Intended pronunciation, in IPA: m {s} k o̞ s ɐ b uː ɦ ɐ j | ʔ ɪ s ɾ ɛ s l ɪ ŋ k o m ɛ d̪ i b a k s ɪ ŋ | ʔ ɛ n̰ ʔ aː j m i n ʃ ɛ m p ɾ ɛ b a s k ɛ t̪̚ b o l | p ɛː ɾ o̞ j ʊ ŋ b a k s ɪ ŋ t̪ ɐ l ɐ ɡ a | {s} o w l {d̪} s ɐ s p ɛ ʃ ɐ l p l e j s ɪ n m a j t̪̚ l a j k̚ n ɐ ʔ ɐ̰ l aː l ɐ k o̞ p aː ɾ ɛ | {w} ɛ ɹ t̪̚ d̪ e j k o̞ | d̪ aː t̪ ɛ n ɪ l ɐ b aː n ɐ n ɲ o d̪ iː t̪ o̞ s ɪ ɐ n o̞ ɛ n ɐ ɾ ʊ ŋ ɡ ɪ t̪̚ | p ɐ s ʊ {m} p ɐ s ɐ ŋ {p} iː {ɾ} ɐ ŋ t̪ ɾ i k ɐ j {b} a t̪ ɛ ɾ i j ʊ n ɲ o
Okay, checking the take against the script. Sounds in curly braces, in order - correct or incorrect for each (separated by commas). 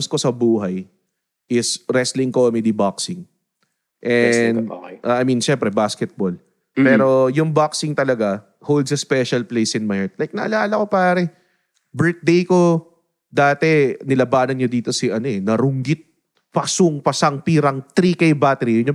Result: correct, incorrect, correct, incorrect, incorrect, correct, correct, correct